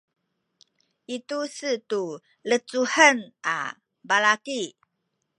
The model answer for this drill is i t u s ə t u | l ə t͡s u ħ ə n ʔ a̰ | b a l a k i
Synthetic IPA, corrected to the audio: i t u s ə t u | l ə t͡s u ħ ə n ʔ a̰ | b a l a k i